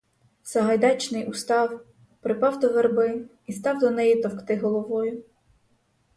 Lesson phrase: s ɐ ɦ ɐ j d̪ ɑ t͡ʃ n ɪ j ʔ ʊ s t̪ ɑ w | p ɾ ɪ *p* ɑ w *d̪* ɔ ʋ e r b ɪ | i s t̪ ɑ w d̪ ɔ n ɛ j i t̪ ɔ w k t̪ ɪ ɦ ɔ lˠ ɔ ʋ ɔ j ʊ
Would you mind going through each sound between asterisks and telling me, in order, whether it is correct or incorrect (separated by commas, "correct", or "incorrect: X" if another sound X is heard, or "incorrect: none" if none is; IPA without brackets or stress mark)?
correct, correct